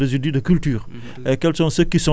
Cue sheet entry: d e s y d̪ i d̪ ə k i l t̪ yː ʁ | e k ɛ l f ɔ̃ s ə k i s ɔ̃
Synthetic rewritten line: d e z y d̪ i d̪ ə k y l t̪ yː ʁ | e k ɛ l s ɔ̃ s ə k i s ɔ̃